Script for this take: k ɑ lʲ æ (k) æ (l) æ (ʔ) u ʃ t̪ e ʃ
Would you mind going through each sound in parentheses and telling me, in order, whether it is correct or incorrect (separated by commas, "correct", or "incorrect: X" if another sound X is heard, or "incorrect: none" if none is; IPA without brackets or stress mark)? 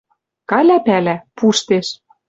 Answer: incorrect: p, correct, incorrect: p